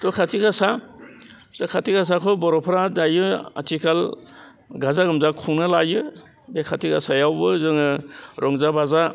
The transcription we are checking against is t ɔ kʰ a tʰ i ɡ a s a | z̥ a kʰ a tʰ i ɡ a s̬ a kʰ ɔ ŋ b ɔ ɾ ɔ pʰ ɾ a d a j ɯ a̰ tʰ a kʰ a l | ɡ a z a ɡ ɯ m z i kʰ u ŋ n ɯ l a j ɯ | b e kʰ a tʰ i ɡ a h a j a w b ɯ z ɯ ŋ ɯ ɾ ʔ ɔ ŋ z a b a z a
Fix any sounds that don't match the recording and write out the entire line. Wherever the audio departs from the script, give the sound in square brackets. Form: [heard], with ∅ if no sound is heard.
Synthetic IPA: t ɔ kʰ a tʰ i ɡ a s a | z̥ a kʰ a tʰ i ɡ a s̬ a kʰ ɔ [∅] b ɔ ɾ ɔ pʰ ɾ a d a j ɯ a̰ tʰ [i] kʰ a l | ɡ a z a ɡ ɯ m z [a] kʰ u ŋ n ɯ l a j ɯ | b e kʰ a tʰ i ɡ a [s] a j a w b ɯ z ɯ ŋ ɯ ɾ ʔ ɔ ŋ z a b a z a

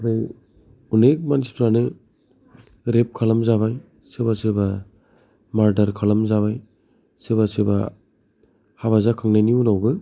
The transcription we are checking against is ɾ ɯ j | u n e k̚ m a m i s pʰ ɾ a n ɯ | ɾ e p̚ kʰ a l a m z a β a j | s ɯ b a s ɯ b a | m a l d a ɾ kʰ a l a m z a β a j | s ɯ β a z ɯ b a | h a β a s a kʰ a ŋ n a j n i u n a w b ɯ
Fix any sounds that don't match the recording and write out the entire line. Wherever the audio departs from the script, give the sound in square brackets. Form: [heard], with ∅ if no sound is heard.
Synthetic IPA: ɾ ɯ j | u n e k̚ m a [n] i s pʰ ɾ a n ɯ | ɾ e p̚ kʰ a l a m z a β a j | s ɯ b a s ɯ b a | m a [ɾ] d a ɾ kʰ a l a m z a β a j | s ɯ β a [s] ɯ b a | h a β a [z] a kʰ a ŋ n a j n i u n a w b ɯ

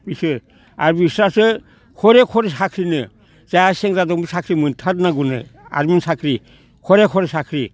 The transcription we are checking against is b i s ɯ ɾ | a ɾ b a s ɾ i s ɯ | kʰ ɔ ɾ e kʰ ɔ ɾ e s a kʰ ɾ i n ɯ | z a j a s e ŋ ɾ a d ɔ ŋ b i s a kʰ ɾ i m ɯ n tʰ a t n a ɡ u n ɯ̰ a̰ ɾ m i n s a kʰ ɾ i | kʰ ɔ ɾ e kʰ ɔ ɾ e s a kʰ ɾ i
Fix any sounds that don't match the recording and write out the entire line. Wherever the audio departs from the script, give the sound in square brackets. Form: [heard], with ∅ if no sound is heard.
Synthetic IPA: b i s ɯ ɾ | a ɾ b [i] s ɾ [a] s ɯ | kʰ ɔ ɾ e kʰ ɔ ɾ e s a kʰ ɾ i n ɯ | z a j a s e ŋ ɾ a d ɔ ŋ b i s a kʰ ɾ i m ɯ n tʰ a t n a ɡ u n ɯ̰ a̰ ɾ m i n s a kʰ ɾ i | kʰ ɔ ɾ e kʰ ɔ ɾ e s a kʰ ɾ i

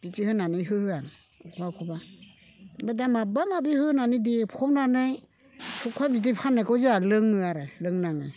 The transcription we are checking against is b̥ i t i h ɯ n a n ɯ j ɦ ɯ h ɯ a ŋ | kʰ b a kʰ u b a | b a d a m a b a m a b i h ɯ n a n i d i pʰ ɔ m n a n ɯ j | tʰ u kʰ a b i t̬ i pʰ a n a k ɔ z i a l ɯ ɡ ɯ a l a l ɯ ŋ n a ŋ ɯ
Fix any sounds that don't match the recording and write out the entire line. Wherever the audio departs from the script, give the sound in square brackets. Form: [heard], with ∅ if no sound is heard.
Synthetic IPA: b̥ i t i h ɯ n a n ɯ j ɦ ɯ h ɯ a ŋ | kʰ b a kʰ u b a | b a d a m a b a m a b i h ɯ n a n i d i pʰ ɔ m n a n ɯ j | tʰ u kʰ a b i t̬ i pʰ a n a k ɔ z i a l ɯ [ŋ] ɯ a [ɾ] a l ɯ ŋ n a ŋ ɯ

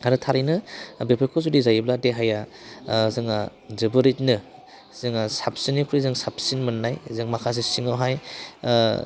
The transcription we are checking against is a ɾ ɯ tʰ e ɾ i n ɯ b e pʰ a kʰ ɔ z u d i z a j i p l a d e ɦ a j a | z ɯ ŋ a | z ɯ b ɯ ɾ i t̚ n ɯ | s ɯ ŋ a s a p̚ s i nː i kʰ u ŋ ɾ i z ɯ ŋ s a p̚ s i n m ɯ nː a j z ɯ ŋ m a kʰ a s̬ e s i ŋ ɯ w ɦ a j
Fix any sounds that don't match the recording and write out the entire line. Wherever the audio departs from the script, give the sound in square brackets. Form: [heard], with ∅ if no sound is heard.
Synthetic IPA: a ɾ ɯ tʰ [a] ɾ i n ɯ b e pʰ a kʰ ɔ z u d i z a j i [b] l a d e ɦ a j a | z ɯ ŋ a | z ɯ b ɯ ɾ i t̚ n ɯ | [z] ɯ ŋ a s a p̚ s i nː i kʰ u [∅] ɾ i z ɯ ŋ s a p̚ s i n m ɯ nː a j z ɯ ŋ m a kʰ a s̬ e s i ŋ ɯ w ɦ a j

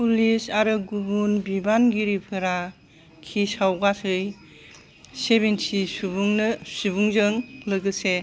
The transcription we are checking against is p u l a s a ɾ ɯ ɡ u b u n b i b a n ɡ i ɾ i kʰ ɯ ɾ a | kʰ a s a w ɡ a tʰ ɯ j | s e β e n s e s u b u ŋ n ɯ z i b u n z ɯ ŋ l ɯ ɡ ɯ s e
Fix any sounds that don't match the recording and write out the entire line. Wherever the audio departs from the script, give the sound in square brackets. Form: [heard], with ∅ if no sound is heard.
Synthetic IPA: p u l [i] s a ɾ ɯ ɡ u b u n b i b a n ɡ i ɾ i [pʰ] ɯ ɾ a | kʰ [i] s a w ɡ a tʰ ɯ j | s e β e n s [i] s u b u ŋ n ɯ [s] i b u [ŋ] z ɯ ŋ l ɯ ɡ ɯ s e

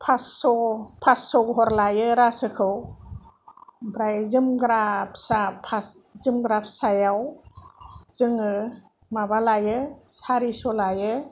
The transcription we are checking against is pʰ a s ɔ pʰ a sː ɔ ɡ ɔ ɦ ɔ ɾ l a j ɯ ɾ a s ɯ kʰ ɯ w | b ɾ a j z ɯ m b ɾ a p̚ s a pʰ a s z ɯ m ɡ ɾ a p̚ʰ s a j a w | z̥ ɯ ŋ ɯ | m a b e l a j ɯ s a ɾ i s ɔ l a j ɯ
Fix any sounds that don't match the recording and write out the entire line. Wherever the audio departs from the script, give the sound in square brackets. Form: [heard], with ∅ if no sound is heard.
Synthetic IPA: pʰ a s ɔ pʰ a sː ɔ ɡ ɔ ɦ ɔ ɾ l a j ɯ ɾ a s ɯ kʰ ɯ w | b ɾ a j z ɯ m [ɡ] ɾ a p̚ s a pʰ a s z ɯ m ɡ ɾ a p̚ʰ s a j a w | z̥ ɯ ŋ ɯ | m a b [a] l a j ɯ s a ɾ i s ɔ l a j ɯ

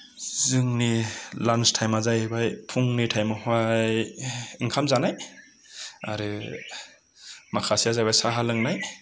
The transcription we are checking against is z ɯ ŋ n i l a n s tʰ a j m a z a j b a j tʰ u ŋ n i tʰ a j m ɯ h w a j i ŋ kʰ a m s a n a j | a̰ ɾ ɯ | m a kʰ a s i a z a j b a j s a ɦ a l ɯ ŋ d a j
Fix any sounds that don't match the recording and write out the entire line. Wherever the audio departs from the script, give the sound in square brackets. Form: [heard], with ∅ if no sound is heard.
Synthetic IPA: z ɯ ŋ n i l a n s tʰ a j m a z a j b a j [pʰ] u ŋ n i tʰ a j m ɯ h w a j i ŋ kʰ a m [z] a n a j | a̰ ɾ ɯ | m a kʰ a s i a z a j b a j s a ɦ a l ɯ ŋ [n] a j

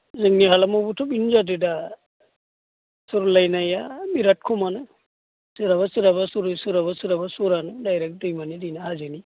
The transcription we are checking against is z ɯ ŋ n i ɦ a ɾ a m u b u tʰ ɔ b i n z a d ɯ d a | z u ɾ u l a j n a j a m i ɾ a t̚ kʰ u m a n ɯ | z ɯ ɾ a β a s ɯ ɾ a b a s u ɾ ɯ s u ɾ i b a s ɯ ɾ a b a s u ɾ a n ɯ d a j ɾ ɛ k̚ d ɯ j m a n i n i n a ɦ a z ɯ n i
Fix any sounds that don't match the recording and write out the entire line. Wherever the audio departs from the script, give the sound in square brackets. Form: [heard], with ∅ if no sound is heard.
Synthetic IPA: z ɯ ŋ n i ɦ a [l] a m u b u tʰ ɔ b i n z a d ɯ d a | [s] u ɾ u l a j n a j a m i ɾ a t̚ kʰ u m a n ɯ | [s] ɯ ɾ a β a s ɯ ɾ a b a s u ɾ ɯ s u ɾ [a] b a s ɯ ɾ a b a s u ɾ a n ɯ d a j ɾ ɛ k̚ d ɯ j m a n i [d] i n a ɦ a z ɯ n i

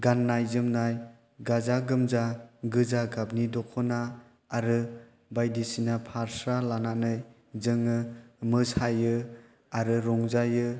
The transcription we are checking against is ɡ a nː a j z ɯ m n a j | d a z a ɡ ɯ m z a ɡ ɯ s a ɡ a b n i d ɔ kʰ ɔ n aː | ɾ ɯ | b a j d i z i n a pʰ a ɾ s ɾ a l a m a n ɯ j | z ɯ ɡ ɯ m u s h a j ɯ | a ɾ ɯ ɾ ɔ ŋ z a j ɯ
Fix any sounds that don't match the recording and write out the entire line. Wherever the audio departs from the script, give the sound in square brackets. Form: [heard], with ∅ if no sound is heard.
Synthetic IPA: ɡ a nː a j z ɯ m n a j | [ɡ] a z a ɡ ɯ m z a ɡ ɯ [z] a ɡ a b n i d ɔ kʰ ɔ n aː | ɾ ɯ | b a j d i [s] i n a pʰ a ɾ s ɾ a l a [n] a n ɯ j | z ɯ [ŋ] ɯ m [ɯ] s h a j ɯ | a ɾ ɯ ɾ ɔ ŋ z a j ɯ

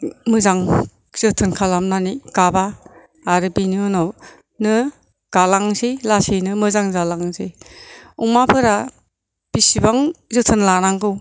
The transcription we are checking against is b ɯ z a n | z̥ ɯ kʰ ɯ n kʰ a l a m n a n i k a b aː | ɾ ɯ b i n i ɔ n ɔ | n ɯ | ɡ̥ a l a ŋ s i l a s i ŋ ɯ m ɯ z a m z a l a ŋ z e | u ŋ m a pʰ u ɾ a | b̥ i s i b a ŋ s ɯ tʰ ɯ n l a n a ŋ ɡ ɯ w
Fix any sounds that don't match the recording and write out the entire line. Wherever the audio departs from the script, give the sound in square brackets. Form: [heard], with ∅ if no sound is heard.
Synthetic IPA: [m] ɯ z a [ŋ] | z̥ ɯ [tʰ] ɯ n kʰ a l a m n a n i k a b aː | ɾ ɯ b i n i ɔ n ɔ | n ɯ | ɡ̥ a l a ŋ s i l a s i [n] ɯ m ɯ z a [ŋ] z a l a ŋ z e | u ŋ m a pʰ [ɯ] ɾ a | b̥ i s i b a ŋ [z] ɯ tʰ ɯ n l a n a ŋ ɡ ɯ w

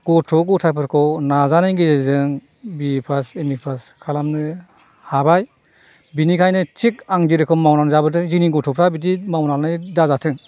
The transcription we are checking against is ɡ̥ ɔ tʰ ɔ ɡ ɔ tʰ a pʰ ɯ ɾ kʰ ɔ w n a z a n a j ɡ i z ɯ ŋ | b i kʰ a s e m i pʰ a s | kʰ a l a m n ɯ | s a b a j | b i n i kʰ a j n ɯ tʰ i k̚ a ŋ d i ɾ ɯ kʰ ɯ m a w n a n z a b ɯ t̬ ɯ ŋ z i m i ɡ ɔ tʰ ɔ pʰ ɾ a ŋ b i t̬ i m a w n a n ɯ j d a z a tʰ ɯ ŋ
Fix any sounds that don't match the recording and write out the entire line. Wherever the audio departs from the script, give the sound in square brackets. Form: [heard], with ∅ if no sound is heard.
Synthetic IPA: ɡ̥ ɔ tʰ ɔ ɡ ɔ tʰ a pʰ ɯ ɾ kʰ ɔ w n a z a n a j ɡ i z ɯ ŋ | b i [pʰ] a s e m i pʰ a s | kʰ a l a m n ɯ | [h] a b a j | b i n i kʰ a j n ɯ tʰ i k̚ a ŋ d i ɾ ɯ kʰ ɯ m a w n a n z a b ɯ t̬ ɯ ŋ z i [n] i ɡ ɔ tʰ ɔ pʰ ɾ a [∅] b i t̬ i m a w n a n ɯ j d a z a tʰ ɯ ŋ

